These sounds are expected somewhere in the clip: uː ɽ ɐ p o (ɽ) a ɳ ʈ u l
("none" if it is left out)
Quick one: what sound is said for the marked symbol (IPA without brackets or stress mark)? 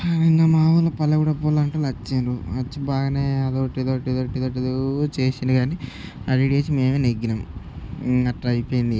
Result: l